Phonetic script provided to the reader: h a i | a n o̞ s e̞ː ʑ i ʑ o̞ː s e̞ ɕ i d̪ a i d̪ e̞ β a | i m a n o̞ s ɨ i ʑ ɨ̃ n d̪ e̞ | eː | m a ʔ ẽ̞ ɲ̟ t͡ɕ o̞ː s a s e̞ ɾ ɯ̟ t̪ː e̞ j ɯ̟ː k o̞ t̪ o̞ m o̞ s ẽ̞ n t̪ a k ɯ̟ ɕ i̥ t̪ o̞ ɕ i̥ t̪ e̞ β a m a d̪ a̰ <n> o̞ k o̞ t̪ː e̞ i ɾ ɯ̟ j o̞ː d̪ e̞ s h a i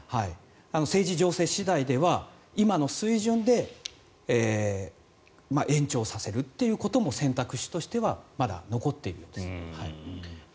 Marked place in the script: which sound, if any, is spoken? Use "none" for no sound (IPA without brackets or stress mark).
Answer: n